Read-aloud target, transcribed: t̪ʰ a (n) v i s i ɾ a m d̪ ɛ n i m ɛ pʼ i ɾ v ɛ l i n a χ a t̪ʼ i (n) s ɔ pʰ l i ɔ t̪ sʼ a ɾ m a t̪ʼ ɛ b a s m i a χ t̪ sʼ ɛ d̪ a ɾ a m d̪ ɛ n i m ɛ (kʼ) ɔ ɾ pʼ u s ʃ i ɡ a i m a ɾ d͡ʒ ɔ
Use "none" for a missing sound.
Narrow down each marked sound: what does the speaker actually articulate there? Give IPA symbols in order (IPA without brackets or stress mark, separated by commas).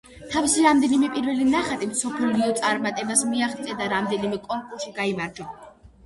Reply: none, m, kʼ